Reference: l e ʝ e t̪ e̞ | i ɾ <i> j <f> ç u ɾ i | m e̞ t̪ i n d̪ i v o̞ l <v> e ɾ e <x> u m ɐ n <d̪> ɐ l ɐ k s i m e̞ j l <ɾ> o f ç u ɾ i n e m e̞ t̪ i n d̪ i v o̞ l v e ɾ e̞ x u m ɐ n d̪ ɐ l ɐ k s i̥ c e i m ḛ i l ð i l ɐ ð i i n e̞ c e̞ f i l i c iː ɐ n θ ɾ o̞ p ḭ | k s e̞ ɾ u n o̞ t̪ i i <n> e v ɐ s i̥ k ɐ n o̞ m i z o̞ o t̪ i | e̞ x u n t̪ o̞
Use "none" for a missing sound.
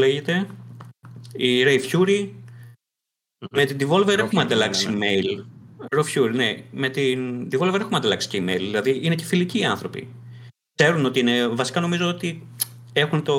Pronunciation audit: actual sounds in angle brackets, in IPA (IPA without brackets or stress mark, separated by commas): e, f, v, x, d̪, ɾ, n